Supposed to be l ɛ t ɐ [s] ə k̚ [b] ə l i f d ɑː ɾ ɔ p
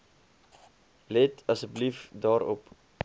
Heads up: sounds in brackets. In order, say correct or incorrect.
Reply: correct, correct

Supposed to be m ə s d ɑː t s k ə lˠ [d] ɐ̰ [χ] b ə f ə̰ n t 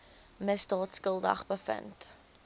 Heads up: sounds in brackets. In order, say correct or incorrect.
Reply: correct, correct

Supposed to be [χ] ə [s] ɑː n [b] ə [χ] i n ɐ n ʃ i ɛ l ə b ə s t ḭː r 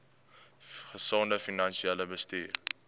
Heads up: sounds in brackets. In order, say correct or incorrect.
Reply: correct, correct, incorrect, incorrect

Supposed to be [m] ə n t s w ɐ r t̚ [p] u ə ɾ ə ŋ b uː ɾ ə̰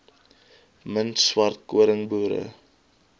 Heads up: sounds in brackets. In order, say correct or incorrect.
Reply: correct, incorrect

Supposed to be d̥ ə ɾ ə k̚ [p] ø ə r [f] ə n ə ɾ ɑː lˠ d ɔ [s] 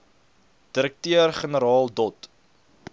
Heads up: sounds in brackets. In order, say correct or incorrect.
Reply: incorrect, incorrect, incorrect

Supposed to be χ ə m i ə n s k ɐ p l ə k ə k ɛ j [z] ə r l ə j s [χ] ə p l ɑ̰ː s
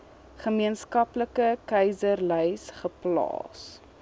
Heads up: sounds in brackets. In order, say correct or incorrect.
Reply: correct, correct

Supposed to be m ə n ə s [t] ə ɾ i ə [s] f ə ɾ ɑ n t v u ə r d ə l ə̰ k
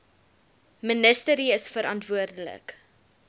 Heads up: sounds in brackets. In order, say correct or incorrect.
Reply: correct, correct

